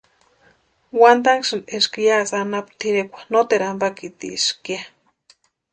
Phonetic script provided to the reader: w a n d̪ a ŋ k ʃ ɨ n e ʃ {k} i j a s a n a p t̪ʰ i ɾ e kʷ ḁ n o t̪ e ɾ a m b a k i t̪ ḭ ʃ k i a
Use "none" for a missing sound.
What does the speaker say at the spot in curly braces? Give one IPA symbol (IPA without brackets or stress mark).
k